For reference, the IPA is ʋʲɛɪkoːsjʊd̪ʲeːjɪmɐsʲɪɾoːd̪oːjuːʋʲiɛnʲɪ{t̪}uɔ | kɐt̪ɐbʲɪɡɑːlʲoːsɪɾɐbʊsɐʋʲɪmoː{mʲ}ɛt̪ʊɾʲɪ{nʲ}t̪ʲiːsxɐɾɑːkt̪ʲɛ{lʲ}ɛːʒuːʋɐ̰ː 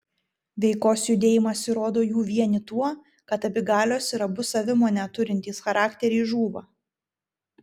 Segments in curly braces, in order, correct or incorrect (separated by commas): correct, incorrect, correct, incorrect